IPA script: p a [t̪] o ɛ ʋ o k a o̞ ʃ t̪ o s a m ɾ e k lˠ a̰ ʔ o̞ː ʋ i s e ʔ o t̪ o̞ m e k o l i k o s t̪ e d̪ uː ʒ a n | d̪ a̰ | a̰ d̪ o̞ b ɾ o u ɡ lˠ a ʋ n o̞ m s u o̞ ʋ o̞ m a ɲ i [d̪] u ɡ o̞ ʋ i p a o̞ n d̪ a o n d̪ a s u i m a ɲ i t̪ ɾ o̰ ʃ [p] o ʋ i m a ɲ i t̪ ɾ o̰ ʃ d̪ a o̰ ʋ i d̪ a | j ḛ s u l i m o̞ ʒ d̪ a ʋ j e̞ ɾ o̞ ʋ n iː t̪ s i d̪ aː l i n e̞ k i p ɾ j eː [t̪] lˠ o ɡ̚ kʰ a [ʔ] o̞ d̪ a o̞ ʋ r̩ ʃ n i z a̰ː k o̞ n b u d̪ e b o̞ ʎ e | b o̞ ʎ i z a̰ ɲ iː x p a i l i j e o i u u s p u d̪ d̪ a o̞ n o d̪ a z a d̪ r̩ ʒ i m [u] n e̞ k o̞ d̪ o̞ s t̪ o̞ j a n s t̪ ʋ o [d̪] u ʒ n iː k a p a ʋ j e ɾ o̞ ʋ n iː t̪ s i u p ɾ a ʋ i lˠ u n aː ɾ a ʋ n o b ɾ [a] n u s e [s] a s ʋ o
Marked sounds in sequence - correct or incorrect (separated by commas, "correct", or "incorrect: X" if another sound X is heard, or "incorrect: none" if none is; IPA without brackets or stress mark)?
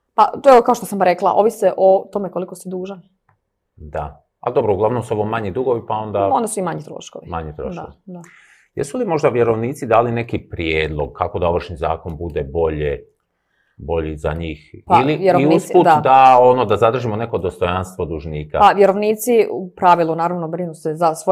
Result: correct, correct, incorrect: k, incorrect: d̪, incorrect: k, incorrect: o, correct, incorrect: i, incorrect: z